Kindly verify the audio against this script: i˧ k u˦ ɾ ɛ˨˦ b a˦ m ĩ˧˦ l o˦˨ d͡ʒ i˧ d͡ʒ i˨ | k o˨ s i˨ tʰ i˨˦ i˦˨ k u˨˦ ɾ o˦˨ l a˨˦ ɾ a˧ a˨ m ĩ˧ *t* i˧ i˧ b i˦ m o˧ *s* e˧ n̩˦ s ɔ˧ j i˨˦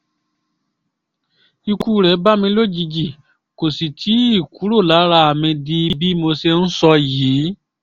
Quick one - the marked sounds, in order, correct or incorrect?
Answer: incorrect, correct

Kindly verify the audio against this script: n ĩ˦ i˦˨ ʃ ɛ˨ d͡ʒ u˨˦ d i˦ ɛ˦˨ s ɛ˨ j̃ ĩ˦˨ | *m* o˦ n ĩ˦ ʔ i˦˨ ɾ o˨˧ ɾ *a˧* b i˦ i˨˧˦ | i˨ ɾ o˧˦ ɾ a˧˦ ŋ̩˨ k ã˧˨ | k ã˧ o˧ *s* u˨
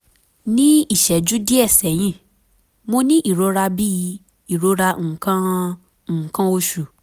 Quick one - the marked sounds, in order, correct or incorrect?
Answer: correct, correct, incorrect

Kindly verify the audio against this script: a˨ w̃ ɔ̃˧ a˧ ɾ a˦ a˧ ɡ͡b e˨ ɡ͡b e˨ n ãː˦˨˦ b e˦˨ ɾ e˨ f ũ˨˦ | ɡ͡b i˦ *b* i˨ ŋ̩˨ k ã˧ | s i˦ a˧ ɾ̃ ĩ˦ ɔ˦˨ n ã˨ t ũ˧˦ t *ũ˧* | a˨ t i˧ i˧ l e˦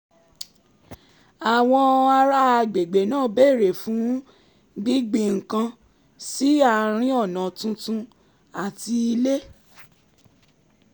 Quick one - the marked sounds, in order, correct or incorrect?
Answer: incorrect, correct

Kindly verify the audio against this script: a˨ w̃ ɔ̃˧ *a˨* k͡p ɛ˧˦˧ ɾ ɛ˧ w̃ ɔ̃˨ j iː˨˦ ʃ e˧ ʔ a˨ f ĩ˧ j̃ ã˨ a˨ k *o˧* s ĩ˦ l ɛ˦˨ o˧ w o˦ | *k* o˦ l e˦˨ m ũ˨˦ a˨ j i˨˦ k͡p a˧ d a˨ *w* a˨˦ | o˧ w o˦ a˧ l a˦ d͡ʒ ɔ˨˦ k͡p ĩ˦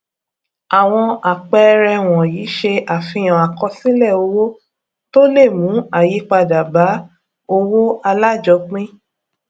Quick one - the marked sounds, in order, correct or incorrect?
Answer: correct, incorrect, incorrect, incorrect

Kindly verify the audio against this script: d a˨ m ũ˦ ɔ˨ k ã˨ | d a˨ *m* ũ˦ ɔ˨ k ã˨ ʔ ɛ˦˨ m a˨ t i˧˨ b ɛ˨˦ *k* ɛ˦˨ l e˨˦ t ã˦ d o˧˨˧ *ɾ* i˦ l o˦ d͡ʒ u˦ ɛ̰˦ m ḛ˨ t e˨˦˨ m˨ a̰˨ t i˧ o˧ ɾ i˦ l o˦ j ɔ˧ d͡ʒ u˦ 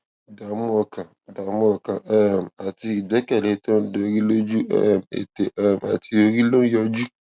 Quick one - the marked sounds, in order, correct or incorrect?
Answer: correct, correct, correct

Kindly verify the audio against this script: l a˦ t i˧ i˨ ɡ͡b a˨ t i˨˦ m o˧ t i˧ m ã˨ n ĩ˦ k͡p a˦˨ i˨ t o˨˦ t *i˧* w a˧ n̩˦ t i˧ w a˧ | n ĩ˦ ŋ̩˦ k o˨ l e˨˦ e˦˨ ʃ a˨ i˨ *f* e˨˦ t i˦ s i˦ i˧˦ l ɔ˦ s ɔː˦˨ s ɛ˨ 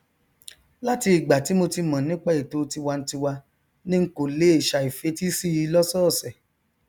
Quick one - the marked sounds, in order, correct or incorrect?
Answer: correct, correct

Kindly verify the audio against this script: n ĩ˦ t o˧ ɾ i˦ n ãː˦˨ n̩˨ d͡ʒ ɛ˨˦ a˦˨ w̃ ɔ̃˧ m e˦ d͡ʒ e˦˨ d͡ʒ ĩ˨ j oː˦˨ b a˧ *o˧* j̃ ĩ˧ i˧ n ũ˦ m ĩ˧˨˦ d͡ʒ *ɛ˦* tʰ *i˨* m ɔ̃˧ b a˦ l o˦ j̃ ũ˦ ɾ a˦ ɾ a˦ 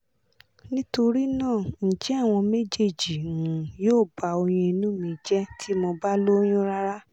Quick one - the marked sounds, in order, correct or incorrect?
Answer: correct, correct, incorrect

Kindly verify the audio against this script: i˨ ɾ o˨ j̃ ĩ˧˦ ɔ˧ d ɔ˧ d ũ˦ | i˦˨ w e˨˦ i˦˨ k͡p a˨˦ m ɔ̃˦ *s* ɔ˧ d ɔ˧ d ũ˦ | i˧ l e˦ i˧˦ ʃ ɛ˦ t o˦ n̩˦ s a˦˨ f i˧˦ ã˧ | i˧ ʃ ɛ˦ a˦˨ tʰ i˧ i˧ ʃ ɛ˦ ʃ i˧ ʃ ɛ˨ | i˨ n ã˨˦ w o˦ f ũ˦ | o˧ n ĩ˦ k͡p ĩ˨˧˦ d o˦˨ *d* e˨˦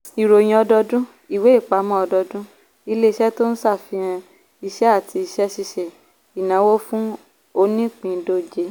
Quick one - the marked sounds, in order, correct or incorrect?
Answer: incorrect, incorrect

